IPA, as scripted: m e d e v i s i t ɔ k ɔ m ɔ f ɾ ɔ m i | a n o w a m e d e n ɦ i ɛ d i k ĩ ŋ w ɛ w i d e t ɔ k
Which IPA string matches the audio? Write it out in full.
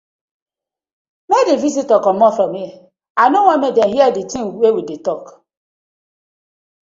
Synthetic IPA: m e d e v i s i t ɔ k ɔ m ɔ f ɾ ɔ m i | a n o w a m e d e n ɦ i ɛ d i t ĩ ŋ w e w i d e t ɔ k